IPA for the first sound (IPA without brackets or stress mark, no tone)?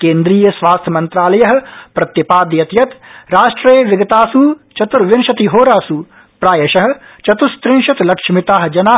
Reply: k